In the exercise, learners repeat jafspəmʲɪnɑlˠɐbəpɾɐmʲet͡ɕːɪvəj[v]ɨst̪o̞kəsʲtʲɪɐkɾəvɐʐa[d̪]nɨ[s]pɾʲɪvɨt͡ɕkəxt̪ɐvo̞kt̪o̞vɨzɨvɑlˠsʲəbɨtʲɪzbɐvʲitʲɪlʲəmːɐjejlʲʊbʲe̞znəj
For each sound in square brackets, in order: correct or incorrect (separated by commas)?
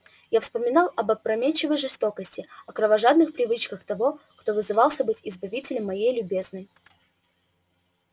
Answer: incorrect, correct, incorrect